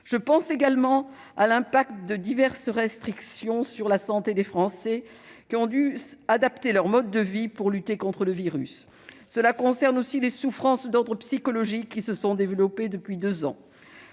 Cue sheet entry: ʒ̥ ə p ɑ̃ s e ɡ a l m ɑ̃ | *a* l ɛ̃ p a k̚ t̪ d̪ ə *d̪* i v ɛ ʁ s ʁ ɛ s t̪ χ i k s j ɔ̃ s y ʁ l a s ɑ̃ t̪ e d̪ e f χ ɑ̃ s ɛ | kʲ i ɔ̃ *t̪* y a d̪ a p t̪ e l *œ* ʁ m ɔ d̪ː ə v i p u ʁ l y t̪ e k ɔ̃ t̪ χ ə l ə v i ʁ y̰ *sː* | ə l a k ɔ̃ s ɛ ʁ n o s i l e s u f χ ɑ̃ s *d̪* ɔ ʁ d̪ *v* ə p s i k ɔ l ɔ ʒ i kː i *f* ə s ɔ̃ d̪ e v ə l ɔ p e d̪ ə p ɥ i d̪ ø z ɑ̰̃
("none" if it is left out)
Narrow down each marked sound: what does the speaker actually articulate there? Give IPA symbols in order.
a, d̪, d̪, œ, sː, d̪, ʁ, s

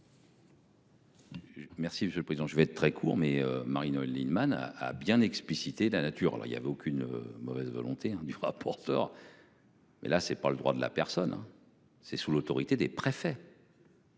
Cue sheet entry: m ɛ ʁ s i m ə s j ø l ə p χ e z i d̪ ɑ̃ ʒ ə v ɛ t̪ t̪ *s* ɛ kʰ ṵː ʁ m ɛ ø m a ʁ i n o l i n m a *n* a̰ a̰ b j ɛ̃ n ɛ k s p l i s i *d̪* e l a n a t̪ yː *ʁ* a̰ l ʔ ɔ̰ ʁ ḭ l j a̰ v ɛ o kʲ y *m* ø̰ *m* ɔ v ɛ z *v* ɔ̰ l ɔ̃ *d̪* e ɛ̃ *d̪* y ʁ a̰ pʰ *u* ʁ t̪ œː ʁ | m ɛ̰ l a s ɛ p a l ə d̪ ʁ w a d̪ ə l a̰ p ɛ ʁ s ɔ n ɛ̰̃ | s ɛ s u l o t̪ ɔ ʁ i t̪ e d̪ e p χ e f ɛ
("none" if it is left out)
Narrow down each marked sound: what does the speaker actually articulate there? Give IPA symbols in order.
χ, n, t̪, ʁ, n, m, v, t̪, d̪, ɔ

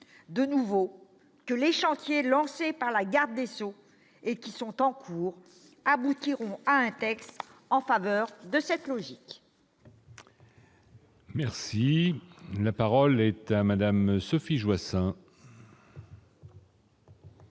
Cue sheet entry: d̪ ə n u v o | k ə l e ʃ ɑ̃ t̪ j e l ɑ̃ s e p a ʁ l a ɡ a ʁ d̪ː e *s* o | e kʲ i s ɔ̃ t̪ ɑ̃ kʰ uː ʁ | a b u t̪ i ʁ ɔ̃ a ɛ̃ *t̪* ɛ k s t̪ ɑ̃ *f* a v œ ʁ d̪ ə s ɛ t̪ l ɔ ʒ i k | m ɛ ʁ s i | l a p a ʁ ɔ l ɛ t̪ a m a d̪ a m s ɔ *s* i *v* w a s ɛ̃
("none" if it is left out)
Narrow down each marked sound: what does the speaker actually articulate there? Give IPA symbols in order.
s, t̪, f, f, ʒ

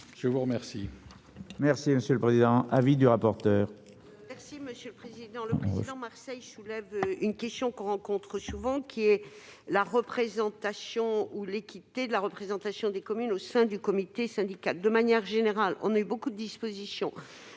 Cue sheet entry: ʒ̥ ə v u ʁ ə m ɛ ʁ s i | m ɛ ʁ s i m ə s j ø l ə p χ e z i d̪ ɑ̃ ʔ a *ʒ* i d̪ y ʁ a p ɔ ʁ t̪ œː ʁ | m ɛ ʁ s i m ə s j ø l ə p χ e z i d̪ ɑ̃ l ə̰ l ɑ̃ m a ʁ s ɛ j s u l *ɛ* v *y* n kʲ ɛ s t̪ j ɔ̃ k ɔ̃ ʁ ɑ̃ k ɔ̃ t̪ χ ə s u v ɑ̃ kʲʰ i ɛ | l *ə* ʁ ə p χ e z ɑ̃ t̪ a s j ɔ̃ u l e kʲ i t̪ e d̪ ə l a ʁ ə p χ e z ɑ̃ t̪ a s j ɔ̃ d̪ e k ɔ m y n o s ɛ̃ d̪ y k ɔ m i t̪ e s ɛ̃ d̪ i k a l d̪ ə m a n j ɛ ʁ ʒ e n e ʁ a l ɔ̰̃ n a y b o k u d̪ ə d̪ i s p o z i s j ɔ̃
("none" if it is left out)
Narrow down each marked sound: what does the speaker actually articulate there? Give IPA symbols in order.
v, ɛ, y, a

